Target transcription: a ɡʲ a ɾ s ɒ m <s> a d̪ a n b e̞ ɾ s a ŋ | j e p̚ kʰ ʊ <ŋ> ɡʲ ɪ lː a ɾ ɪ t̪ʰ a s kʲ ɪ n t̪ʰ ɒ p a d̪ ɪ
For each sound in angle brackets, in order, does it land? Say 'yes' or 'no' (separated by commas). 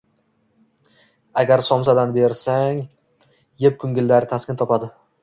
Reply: yes, yes